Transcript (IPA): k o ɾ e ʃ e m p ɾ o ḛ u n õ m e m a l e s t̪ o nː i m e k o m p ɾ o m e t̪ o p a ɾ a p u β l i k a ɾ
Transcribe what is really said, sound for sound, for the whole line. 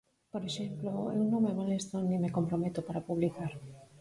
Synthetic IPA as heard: p o ɾ e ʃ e m p l o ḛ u n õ m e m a l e s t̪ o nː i m e k o m p ɾ o m e t̪ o p a ɾ a p u β l i k a ɾ